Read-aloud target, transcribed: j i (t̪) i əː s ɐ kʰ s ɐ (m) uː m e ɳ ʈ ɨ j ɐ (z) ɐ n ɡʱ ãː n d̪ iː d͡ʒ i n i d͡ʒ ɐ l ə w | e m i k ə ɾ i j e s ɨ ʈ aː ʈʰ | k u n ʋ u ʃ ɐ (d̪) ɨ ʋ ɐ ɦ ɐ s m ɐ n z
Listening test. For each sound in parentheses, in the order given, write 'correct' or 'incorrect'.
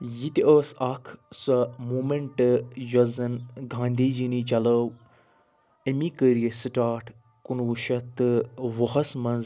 correct, correct, correct, incorrect: t̪

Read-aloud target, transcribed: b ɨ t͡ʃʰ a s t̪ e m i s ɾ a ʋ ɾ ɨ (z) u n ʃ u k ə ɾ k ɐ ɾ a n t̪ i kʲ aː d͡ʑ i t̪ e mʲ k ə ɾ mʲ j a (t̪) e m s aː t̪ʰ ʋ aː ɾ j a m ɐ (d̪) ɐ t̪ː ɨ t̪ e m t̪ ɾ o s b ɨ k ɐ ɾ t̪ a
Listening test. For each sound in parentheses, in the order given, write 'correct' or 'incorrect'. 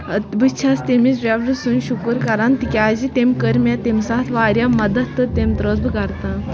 incorrect: s, correct, correct

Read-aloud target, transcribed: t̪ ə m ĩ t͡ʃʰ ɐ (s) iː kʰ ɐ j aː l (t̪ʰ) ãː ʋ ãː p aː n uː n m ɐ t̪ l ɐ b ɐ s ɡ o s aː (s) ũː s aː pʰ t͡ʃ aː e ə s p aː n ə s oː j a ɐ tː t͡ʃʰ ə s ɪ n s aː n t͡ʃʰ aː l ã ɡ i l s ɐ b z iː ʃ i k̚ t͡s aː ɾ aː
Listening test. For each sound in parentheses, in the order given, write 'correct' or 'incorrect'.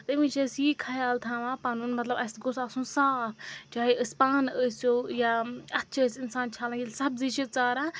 correct, correct, correct

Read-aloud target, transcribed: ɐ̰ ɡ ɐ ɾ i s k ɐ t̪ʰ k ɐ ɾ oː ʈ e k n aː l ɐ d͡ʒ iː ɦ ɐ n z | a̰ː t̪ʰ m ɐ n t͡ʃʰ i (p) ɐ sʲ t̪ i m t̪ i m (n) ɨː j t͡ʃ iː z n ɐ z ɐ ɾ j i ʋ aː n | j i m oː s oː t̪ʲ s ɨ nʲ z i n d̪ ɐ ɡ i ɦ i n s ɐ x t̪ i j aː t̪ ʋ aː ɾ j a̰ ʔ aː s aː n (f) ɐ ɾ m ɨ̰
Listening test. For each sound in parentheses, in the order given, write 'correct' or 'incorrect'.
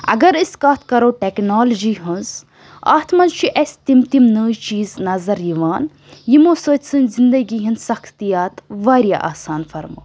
incorrect: ʔ, correct, correct

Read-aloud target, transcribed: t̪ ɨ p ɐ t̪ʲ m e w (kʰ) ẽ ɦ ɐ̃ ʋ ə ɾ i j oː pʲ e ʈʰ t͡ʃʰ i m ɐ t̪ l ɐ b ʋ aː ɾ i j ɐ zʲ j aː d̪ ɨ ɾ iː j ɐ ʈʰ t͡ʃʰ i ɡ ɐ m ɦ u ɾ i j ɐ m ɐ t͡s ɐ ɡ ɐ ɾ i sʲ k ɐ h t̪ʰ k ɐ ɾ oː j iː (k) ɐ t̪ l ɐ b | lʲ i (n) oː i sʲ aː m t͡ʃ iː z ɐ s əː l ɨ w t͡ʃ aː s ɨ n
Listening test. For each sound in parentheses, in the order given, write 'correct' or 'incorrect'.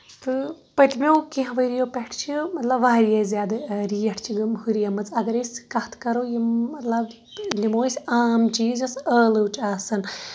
incorrect: k, incorrect: none, incorrect: m

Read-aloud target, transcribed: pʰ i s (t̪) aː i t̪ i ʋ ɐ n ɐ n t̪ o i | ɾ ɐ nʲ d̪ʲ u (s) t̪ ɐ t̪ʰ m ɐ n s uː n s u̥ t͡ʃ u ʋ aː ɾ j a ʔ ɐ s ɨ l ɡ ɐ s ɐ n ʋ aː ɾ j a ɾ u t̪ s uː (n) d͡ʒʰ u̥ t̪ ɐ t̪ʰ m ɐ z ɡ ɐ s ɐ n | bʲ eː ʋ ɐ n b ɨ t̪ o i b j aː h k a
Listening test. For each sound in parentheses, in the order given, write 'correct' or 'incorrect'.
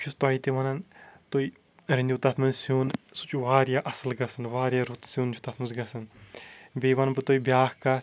correct, incorrect: none, correct

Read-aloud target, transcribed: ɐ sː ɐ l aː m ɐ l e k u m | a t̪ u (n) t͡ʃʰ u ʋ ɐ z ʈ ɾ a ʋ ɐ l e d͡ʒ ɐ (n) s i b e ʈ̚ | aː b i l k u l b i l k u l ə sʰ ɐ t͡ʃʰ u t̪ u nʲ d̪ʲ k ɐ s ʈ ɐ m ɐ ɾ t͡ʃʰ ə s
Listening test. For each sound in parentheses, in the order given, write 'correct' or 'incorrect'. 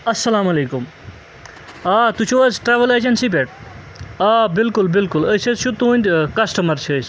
incorrect: none, correct

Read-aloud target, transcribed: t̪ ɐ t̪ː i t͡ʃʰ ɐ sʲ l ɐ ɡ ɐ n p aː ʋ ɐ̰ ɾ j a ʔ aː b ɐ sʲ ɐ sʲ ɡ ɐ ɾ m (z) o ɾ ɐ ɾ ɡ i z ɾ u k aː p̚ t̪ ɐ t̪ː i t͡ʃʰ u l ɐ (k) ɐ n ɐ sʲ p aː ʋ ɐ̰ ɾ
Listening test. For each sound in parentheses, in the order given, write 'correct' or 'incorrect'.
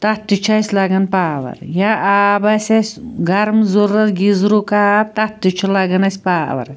correct, incorrect: ɡ

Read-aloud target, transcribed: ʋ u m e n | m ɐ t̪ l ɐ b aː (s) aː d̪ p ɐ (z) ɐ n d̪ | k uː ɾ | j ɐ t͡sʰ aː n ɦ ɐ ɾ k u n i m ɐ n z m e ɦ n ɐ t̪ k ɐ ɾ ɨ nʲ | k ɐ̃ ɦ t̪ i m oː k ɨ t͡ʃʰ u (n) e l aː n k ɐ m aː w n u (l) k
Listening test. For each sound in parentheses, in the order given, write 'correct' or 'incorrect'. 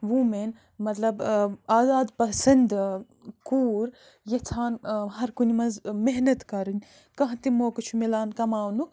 incorrect: z, incorrect: s, incorrect: m, incorrect: none

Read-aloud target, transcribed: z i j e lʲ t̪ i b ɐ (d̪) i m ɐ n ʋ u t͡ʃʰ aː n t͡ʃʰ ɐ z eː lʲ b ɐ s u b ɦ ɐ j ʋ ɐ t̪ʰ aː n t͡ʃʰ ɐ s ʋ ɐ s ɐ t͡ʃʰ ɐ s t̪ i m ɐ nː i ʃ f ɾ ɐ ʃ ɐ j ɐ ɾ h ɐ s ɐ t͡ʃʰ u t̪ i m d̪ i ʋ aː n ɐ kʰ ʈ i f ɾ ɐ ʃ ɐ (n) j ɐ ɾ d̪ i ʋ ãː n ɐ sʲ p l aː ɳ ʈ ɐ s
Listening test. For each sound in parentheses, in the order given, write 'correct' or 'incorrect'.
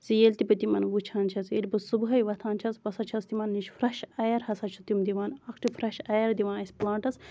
incorrect: t̪, incorrect: none

